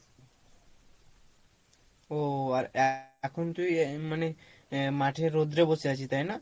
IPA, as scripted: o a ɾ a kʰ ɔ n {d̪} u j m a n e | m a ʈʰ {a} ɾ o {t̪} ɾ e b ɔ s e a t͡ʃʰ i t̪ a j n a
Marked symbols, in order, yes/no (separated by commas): no, no, no